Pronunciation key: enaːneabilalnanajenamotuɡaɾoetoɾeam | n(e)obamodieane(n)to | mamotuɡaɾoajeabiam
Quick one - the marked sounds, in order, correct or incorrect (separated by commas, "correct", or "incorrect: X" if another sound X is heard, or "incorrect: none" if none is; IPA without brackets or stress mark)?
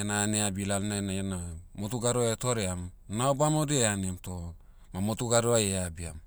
incorrect: a, incorrect: m